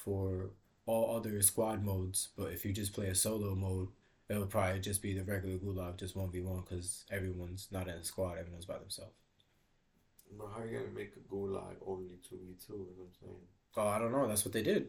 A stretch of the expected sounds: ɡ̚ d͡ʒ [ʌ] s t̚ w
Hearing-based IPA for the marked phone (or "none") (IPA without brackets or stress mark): ʌ